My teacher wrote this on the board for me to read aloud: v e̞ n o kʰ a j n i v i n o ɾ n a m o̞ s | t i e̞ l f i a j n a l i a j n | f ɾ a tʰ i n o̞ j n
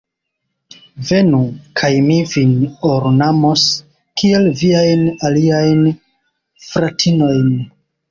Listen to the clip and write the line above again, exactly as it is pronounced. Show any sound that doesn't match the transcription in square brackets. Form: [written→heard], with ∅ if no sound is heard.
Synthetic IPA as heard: v e̞ n [o→u] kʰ a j [n→m] i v i n o ɾ n a m o̞ s | [t→k] i e̞ l [f→v] i a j n a l i a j n | f ɾ a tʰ i n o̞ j n